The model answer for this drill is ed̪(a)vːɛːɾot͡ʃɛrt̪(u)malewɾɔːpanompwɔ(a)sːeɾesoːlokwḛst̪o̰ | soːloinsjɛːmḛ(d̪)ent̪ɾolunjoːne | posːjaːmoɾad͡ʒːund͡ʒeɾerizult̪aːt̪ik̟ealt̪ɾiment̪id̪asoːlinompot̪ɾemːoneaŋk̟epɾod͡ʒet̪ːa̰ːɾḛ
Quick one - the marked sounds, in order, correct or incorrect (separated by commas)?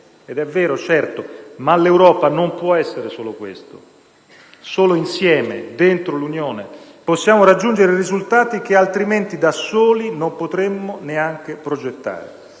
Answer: incorrect, incorrect, incorrect, correct